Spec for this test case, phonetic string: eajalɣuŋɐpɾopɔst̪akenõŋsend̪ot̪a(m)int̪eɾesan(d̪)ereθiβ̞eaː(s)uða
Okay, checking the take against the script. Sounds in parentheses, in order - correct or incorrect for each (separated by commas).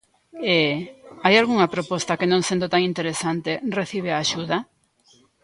incorrect, incorrect, incorrect